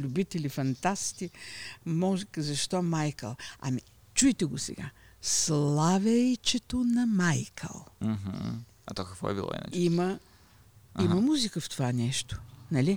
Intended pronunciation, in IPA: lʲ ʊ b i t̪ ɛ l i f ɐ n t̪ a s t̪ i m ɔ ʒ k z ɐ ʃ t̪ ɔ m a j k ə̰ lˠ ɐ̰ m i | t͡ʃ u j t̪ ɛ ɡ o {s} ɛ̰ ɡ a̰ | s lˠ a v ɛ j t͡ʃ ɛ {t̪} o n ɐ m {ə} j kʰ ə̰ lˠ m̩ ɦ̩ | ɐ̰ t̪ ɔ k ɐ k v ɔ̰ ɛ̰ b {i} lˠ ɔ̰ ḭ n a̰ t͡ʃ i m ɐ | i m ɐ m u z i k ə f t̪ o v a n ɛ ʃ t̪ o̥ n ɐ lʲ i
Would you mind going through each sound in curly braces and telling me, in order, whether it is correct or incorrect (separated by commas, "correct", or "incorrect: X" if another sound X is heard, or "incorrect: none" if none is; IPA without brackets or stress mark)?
correct, correct, incorrect: a, correct